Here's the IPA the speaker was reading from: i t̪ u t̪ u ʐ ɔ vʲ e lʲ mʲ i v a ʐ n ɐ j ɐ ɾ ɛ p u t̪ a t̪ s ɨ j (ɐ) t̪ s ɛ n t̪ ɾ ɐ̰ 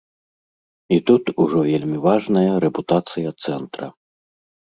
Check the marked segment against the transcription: correct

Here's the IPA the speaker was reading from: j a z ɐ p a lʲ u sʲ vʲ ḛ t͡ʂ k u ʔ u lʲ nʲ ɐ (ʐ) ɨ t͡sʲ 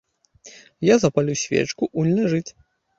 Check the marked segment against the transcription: correct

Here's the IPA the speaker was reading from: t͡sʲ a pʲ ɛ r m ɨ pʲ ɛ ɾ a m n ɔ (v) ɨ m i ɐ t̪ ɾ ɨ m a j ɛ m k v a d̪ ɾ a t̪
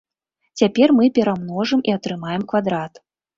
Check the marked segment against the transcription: incorrect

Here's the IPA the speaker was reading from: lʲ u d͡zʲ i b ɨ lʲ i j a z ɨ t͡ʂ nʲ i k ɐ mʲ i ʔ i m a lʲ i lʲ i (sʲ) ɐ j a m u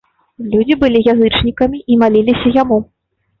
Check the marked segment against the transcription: correct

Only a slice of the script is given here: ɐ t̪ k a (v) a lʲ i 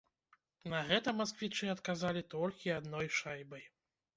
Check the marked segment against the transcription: incorrect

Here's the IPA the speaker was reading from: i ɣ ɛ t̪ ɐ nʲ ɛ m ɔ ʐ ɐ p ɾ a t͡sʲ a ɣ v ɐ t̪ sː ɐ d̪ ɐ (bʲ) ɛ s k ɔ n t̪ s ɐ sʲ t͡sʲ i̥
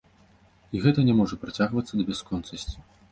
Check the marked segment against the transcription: correct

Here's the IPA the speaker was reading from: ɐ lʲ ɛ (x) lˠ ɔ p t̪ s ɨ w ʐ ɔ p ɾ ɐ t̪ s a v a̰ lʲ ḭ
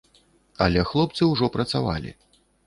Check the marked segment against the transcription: correct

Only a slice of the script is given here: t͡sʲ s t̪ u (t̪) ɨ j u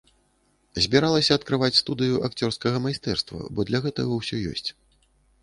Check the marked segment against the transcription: incorrect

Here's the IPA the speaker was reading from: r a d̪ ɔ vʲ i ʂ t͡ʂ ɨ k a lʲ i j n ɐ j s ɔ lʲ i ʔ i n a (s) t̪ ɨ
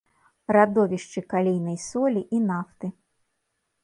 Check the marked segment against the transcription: incorrect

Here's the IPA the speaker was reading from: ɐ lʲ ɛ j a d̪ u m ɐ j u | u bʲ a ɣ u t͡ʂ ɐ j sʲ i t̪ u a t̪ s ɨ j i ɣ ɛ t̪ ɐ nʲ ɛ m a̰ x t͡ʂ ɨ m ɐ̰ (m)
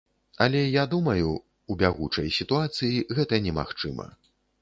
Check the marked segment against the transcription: incorrect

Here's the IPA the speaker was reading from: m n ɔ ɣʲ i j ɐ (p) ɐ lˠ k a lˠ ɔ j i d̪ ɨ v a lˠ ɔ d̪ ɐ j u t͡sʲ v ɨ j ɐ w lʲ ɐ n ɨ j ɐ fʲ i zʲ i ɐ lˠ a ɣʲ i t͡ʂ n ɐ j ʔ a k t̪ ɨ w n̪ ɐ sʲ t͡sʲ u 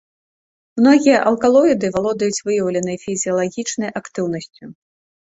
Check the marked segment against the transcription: incorrect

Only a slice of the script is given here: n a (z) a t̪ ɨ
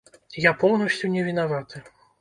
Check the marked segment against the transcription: incorrect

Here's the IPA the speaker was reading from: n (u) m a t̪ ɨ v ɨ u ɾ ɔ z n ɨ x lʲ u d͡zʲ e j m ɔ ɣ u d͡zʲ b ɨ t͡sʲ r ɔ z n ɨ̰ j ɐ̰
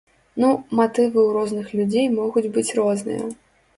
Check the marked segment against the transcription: correct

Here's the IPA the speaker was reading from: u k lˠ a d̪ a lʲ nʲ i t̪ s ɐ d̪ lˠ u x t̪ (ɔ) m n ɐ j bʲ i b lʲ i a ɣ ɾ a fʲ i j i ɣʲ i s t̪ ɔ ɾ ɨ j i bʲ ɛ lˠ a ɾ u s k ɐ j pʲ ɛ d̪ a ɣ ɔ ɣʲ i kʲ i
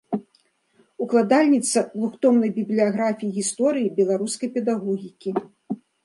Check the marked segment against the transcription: correct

